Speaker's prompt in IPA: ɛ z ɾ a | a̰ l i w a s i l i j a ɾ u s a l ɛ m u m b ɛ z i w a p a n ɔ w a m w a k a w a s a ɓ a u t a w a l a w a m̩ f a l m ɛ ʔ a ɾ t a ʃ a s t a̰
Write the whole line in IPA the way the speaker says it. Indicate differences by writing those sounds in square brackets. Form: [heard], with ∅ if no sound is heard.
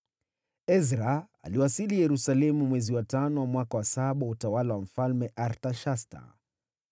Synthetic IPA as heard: ɛ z ɾ a | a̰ l i w a s i l i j [ɛ] ɾ u s a l ɛ m u m [w] ɛ z i w a [t] a n ɔ w a m w a k a w a s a ɓ a u t a w a l a w a m̩ f a l m ɛ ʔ a ɾ t a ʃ a s t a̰